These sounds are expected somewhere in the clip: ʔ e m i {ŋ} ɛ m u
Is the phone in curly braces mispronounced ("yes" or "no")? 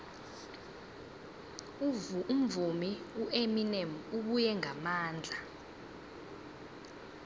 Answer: yes